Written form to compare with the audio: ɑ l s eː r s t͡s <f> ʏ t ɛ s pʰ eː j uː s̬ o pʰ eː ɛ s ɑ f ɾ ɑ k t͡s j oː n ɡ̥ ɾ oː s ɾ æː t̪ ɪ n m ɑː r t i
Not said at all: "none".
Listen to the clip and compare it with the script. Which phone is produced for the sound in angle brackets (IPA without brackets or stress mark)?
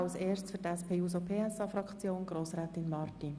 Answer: f